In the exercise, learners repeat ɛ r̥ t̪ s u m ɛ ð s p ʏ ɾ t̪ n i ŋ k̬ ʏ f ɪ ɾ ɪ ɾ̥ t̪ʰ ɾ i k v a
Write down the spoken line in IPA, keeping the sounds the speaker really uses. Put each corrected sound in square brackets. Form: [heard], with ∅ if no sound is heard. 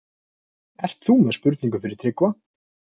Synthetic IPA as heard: ɛ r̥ t̪ [θ] u m ɛ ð s p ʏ ɾ t̪ n i ŋ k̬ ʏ f ɪ ɾ ɪ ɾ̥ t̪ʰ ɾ [ɪ] k v a